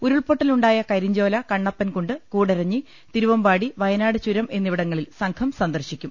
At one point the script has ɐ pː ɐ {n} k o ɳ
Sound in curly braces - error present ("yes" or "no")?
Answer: no